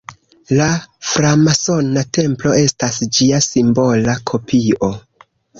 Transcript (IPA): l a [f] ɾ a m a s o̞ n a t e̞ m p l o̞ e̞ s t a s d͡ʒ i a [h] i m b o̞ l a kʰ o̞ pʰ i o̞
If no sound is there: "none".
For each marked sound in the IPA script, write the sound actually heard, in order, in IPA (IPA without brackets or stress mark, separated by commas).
f, s